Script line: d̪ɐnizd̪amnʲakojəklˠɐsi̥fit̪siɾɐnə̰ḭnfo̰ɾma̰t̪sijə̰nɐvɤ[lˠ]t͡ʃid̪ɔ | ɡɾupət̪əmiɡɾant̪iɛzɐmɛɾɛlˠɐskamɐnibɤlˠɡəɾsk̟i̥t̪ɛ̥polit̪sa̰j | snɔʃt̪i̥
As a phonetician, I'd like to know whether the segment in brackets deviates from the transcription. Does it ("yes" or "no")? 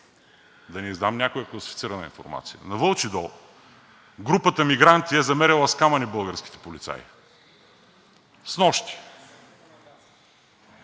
no